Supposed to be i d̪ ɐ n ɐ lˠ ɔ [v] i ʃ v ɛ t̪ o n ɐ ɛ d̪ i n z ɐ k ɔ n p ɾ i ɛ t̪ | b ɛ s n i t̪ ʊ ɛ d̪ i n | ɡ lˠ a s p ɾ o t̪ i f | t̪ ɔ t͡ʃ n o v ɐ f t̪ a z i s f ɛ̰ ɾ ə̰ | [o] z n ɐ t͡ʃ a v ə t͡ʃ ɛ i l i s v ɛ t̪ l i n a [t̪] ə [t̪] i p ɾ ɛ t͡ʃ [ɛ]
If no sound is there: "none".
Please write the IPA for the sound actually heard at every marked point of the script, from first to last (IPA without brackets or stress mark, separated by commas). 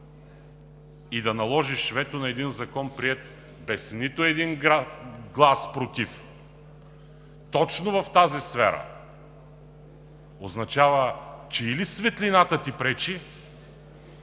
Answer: ʒ, o, t̪, t̪, i